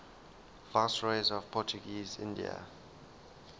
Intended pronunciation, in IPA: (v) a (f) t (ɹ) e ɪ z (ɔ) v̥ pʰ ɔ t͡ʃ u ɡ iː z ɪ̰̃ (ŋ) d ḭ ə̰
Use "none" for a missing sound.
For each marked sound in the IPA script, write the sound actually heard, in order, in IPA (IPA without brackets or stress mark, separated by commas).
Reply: v, s, ɹ, ɔ, n